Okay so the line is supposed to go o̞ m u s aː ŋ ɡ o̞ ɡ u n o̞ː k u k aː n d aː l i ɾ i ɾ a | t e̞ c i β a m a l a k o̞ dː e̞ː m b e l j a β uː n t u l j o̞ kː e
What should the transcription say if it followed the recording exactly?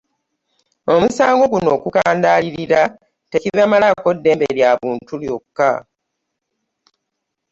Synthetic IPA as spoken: o̞ m u s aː ŋ ɡ o̞ ɡ u n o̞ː k u k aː n d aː l i ɾ i ɾ a | t e̞ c i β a m a l a k o̞ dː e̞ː m b e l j a β uː n t u l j o̞ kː a